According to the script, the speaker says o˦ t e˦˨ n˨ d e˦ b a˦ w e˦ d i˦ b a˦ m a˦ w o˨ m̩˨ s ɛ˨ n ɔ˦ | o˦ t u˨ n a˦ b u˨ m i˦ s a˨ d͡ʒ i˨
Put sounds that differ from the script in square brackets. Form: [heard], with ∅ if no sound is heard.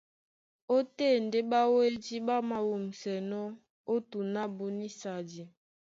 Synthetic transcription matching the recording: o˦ t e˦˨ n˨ d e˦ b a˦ w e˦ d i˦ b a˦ m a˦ w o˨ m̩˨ s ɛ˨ n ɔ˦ | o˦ t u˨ n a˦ b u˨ [n] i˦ s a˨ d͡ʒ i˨

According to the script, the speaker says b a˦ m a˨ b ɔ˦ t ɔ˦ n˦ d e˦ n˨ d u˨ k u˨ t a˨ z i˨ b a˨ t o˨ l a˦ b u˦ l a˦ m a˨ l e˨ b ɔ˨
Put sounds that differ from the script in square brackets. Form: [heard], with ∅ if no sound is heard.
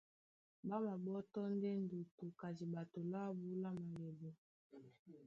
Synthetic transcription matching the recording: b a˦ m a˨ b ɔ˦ t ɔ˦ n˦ d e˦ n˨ d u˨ [t] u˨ [k] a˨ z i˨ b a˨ t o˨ l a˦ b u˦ l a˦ m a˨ l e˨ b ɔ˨

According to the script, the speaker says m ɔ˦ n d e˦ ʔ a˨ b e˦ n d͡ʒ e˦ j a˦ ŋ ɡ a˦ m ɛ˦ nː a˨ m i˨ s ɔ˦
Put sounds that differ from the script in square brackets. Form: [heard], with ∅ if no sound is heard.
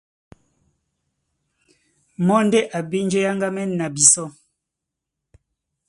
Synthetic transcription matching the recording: m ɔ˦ n d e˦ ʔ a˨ b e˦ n d͡ʒ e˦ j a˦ ŋ ɡ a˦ m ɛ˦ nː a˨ [b] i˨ s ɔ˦

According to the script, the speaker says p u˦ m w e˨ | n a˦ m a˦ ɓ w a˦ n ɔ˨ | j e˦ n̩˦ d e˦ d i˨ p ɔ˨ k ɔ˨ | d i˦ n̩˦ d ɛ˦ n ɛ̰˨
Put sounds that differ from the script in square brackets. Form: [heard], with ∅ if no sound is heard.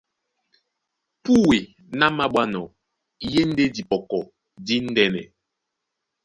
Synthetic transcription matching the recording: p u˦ [∅] w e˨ | n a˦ m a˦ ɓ w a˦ n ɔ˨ | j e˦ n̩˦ d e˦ d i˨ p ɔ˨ k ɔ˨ | d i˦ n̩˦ d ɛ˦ n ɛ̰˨

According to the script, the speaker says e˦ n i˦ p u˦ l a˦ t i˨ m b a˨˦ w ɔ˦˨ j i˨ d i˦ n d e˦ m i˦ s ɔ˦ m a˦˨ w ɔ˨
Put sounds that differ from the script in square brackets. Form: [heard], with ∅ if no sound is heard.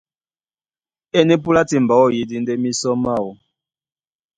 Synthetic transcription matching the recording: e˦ n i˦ p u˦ l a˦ t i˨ m b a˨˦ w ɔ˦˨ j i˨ d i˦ n d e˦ m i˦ s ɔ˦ m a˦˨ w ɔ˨

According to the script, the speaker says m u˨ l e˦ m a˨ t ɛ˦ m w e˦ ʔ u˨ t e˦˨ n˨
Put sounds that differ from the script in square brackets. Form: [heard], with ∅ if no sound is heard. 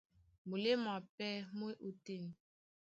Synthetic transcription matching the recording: m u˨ l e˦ m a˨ [p] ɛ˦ m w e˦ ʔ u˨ t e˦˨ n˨

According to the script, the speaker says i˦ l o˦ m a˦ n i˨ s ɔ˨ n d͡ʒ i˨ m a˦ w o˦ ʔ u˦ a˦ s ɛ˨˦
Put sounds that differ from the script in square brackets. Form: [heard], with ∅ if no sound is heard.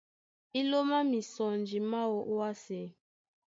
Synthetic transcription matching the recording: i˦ l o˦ m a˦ [m] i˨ s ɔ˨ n d͡ʒ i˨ m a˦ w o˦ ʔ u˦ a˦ s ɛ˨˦

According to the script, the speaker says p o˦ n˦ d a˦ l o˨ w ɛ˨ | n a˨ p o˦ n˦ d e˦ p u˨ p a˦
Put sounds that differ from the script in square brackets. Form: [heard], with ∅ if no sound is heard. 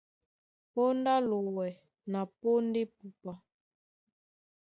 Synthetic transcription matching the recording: p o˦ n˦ d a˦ l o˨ w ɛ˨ | n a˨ p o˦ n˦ d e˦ p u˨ p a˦

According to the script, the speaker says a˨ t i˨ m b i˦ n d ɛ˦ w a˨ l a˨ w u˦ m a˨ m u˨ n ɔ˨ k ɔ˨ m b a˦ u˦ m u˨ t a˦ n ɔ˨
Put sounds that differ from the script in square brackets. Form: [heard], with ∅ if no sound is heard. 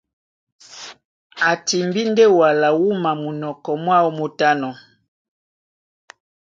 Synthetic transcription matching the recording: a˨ t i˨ m b i˦ n d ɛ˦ w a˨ l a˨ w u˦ m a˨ m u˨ n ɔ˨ k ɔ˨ m [w] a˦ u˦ m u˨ t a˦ n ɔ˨

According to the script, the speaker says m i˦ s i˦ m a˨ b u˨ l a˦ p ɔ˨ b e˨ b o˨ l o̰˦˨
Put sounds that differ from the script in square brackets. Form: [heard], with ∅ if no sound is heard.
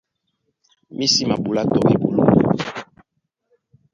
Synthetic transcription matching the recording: m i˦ s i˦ m a˨ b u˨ l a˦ [t] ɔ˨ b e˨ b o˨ l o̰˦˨

